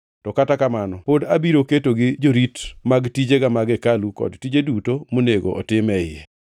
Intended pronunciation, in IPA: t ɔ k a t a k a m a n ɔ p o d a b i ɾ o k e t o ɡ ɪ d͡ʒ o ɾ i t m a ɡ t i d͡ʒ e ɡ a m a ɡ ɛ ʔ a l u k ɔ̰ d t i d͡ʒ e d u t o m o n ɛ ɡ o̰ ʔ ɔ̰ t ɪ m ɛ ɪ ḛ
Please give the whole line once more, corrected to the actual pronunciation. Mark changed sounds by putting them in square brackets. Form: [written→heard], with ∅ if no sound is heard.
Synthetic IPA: t ɔ k a t a k a m a n ɔ p o d a b i ɾ o k e t o ɡ ɪ d͡ʒ o ɾ i t m a ɡ t i d͡ʒ e ɡ a m a ɡ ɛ [ʔ→k] a l u k ɔ̰ d t i d͡ʒ e d u t o m o n [ɛ→e] ɡ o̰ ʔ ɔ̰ t ɪ m ɛ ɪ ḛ